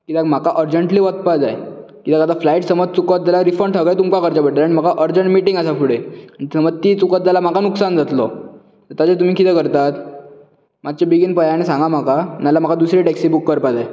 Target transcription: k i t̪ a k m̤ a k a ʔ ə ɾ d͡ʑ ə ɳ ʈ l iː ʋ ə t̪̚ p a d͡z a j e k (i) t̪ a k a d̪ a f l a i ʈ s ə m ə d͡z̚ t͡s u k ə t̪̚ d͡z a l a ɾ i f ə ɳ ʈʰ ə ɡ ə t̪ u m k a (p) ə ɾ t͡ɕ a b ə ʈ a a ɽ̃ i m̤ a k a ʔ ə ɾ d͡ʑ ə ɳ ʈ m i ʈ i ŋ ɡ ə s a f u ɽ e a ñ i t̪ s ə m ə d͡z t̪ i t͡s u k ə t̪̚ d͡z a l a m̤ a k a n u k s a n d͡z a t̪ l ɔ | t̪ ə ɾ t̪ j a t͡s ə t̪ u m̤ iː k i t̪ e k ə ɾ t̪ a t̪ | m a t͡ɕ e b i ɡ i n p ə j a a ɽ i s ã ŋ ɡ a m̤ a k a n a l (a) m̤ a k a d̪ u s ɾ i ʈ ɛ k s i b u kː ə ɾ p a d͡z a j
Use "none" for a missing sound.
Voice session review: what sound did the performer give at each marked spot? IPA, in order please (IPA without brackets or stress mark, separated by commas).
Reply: i, k, a